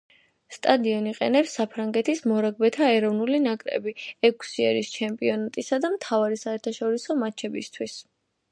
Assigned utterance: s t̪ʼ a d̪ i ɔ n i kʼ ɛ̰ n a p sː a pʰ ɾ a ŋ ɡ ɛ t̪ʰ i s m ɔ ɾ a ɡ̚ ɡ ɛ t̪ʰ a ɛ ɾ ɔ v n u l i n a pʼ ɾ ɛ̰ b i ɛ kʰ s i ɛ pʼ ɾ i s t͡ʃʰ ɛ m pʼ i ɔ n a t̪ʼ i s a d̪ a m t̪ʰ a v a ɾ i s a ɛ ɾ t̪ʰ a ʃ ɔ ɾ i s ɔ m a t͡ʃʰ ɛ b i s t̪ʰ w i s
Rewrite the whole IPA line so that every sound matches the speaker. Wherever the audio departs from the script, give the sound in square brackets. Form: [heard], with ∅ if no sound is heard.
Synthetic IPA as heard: s t̪ʼ a d̪ i ɔ n i [qʼ] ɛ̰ n [ɛ] p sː a pʰ ɾ a ŋ ɡ ɛ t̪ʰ i s m ɔ ɾ a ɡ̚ [b] ɛ t̪ʰ a ɛ ɾ ɔ v n u l i n a [kʼ] ɾ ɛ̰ b i ɛ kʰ s i ɛ [∅] ɾ i s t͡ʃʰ ɛ m pʼ i ɔ n a t̪ʼ i s a d̪ a m t̪ʰ a v a ɾ i s a ɛ ɾ t̪ʰ a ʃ ɔ ɾ i s ɔ m a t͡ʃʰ ɛ b i s t̪ʰ w i s

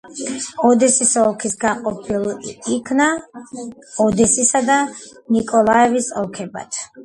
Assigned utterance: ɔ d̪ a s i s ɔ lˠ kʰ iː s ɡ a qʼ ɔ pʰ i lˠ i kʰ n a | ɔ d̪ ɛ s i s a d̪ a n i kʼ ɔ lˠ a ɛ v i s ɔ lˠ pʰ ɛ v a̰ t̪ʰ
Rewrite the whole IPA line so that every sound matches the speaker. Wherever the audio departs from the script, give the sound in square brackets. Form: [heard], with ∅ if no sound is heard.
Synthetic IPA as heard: ɔ d̪ [ɛ] s i s ɔ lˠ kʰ [i] s ɡ a qʼ ɔ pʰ i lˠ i kʰ n a | ɔ d̪ ɛ s i s a d̪ a n i kʼ ɔ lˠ a ɛ v i s ɔ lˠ [kʰ] ɛ [b] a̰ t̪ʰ

